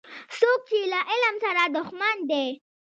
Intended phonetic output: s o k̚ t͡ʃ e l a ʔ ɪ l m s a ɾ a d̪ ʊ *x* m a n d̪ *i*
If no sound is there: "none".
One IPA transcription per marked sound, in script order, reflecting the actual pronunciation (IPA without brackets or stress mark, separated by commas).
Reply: x, e